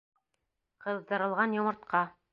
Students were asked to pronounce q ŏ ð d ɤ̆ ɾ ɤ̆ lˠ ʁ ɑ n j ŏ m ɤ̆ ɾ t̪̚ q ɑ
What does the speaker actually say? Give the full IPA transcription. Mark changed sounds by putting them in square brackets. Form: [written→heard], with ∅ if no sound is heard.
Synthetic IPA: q [ŏ→ɤ̆] ð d ɤ̆ ɾ ɤ̆ lˠ ʁ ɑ n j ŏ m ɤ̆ ɾ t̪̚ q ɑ